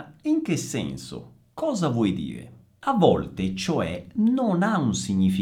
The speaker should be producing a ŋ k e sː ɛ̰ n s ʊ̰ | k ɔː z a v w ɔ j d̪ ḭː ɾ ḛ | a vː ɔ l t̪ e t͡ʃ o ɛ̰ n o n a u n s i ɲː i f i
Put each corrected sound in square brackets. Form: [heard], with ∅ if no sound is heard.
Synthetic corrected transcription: [i] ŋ k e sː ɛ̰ n s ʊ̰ | k ɔː z a v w ɔ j d̪ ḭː ɾ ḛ | a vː ɔ l t̪ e t͡ʃ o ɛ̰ n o n a u n s i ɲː i f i